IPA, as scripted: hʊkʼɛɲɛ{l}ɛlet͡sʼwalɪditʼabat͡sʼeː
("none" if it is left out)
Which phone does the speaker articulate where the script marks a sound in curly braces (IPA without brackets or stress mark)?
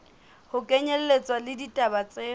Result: l